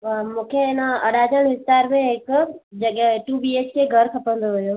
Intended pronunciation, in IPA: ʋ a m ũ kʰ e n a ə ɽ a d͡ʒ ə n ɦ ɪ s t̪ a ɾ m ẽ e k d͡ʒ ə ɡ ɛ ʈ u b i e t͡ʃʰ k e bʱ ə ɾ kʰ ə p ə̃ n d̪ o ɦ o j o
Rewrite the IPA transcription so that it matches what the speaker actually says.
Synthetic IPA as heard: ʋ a m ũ kʰ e n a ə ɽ a d͡ʒ ə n ɦ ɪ s t̪ a ɾ m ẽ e k d͡ʒ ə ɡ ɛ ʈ u b i e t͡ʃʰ k e ɡʱ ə ɾ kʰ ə p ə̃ n d̪ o ɦ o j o